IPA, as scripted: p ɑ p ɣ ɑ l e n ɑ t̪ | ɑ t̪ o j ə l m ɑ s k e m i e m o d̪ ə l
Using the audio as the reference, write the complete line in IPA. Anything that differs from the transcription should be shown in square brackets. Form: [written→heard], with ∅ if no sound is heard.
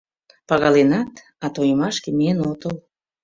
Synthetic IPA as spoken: p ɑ [p→∅] ɣ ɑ l e n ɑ t̪ | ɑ t̪ o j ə [l→∅] m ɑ [s→ʃ] k e m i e [m→n] o [d̪→t̪] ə l